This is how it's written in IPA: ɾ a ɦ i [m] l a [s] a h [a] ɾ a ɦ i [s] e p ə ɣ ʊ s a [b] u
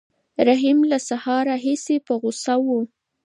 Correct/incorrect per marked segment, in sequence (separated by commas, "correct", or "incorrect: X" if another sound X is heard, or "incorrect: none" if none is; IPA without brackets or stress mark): correct, correct, incorrect: ɑ, correct, incorrect: w